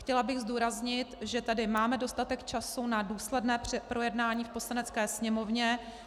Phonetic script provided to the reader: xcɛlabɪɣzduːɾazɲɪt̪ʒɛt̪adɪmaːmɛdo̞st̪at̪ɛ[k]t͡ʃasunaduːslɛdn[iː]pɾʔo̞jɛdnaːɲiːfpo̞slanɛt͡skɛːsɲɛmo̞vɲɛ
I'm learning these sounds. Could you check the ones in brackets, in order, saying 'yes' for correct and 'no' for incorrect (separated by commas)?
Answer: yes, no